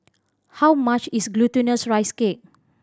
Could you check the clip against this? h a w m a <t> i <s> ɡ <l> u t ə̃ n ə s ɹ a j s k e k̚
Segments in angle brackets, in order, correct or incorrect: incorrect: t͡ʃ, correct, correct

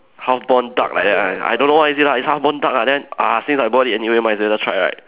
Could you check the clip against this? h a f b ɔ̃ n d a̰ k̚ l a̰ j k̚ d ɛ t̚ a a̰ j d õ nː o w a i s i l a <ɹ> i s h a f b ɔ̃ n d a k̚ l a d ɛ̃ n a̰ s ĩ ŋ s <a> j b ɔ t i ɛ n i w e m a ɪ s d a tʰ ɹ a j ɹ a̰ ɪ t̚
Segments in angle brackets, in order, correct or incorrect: incorrect: none, correct

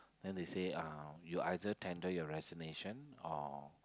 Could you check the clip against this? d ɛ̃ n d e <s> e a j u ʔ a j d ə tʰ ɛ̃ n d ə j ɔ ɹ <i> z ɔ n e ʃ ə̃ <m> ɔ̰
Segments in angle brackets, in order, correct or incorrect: correct, incorrect: ɛ, incorrect: n

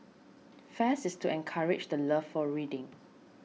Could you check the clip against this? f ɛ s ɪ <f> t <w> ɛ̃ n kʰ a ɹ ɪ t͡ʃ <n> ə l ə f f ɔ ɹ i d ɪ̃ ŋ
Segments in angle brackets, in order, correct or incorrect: incorrect: s, incorrect: u, incorrect: d

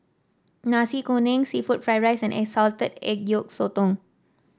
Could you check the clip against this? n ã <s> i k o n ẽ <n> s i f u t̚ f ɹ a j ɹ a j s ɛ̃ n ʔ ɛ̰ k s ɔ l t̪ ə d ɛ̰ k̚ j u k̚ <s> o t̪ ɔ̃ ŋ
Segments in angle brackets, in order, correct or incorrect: correct, incorrect: ŋ, correct

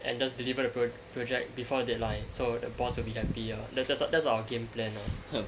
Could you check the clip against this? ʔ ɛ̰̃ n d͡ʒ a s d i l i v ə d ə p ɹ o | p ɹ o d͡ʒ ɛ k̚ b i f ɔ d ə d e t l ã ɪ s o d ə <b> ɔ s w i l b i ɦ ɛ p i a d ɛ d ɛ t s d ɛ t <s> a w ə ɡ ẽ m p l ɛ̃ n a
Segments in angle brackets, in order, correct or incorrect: correct, correct

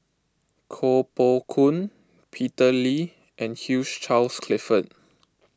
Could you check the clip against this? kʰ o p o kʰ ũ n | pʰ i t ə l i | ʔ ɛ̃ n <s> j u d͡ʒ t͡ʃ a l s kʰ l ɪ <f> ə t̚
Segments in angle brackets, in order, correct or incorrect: incorrect: h, correct

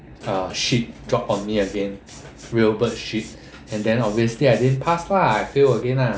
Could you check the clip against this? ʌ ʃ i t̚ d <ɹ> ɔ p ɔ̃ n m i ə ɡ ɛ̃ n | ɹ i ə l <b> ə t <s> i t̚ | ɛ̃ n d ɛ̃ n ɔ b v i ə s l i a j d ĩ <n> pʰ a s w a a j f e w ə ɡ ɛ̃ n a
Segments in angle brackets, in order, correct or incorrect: correct, correct, incorrect: ʃ, correct

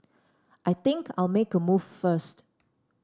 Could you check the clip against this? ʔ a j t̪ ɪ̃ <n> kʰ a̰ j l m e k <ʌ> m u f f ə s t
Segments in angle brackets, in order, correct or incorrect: incorrect: ŋ, incorrect: ə

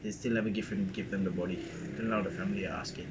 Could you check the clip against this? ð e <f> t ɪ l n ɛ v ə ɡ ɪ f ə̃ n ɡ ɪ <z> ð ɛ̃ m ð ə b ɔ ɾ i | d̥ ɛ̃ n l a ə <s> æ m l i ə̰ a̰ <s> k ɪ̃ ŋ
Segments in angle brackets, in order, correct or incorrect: incorrect: s, incorrect: v, incorrect: f, correct

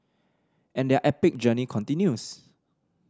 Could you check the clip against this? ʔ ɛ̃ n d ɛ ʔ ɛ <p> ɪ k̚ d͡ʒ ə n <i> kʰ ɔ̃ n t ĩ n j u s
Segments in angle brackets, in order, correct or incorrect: correct, correct

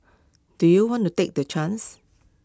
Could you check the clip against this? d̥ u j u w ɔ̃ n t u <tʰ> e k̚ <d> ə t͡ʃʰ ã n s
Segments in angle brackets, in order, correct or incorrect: incorrect: t, correct

